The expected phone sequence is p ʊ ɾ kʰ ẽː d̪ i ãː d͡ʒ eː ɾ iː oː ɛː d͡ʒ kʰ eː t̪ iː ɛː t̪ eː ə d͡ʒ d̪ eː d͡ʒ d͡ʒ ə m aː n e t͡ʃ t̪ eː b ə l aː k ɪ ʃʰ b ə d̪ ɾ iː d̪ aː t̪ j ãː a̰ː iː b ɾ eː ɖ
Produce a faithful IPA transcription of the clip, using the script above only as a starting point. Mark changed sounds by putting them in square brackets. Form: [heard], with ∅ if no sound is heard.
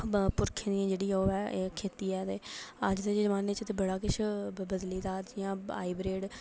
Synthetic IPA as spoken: p ʊ ɾ kʰ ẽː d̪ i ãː d͡ʒ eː [ɽ] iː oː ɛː [∅] kʰ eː t̪ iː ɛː t̪ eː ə d͡ʒ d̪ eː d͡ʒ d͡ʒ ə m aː n e t͡ʃ t̪ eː b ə [ɽ] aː k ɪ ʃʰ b ə d̪ [l] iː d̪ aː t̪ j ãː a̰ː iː b ɾ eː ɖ